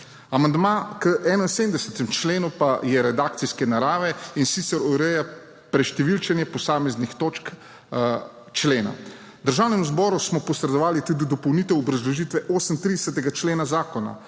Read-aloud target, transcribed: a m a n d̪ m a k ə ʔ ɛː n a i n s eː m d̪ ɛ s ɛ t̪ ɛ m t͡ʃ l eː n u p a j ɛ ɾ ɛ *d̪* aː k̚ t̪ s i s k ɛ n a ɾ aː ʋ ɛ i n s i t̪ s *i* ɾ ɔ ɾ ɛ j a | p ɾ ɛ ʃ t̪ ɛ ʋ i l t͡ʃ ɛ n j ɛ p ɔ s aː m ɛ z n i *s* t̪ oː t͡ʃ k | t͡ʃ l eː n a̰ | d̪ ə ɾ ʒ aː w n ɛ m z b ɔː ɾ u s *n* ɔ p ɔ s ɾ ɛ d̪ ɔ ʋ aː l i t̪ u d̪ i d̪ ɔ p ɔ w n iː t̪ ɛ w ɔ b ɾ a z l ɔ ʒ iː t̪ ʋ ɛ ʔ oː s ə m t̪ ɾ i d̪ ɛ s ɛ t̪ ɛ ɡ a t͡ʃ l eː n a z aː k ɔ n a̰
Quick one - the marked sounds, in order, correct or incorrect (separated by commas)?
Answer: correct, incorrect, incorrect, incorrect